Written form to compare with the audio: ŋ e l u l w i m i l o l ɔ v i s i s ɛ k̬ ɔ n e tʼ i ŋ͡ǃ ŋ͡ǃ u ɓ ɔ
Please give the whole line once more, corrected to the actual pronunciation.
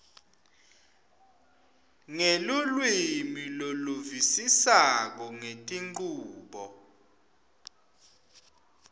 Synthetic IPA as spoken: ŋ e l u l w i m i l o l u v i s i s a k̬ ɔ ŋ e tʼ i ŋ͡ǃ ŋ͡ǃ uː ɓ ɔ